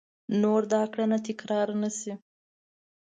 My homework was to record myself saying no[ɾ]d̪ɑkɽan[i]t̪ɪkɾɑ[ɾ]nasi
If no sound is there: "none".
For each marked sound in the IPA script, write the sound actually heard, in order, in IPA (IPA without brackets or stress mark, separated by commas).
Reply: ɾ, a, ɾ